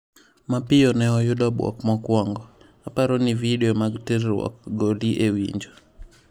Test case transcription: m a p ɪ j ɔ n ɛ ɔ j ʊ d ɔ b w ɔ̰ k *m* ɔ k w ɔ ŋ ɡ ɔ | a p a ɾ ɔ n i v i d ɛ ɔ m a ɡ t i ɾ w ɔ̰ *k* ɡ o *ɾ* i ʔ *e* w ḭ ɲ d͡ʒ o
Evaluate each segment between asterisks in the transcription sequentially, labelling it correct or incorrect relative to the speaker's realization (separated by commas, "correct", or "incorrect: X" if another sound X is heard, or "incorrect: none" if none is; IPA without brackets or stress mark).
correct, correct, incorrect: l, correct